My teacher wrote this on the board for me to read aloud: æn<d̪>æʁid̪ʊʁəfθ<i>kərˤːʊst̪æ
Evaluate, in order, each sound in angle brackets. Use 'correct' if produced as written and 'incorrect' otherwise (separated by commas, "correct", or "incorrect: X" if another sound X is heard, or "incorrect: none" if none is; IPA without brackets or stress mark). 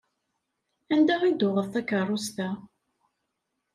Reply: correct, incorrect: æ